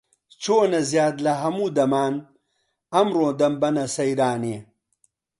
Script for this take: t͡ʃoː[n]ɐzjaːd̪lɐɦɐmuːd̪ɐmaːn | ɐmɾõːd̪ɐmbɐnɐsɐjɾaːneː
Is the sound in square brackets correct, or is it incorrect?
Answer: correct